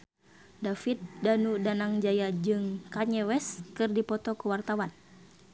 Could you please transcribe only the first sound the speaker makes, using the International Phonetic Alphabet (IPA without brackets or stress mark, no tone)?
d